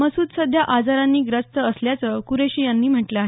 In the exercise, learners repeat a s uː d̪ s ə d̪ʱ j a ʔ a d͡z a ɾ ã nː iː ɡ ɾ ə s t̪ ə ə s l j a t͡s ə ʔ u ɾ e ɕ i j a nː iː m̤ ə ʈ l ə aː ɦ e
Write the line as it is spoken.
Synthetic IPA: ə s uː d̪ s ə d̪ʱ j a ʔ a d͡z a ɾ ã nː iː ɡ ɾ ə s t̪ ə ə s l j a t͡s ə k u ɾ e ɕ i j a nː iː m̤ ə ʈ l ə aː ɦ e